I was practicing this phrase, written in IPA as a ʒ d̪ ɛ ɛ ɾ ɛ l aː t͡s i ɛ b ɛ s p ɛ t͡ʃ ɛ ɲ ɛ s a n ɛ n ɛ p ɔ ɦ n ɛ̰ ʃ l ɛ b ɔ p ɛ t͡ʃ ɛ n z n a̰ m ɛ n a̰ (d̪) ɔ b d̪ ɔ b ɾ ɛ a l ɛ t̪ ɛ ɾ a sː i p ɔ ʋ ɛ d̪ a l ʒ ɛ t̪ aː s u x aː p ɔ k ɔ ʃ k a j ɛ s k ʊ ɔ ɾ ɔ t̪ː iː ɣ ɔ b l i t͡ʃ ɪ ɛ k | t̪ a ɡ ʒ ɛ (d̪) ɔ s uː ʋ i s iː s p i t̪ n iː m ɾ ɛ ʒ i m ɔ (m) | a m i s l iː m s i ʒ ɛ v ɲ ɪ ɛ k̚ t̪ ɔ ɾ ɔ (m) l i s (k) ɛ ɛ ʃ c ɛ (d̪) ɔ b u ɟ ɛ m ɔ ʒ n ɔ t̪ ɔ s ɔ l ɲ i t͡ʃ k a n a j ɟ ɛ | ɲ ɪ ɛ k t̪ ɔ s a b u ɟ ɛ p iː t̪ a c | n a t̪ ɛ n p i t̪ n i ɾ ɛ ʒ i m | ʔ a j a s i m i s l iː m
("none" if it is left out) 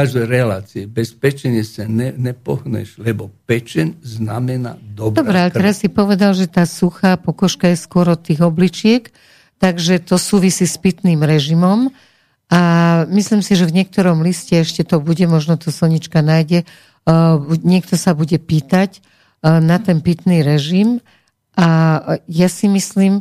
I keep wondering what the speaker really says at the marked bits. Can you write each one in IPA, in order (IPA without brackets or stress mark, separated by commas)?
d̪, t̪, m, m, c, t̪